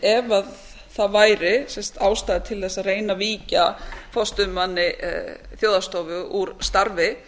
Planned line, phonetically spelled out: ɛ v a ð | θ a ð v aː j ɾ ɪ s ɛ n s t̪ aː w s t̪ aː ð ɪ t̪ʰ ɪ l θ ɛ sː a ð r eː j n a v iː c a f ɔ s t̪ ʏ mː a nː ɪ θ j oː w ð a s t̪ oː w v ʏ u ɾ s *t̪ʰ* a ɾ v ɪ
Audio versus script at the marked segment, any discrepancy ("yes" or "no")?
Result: yes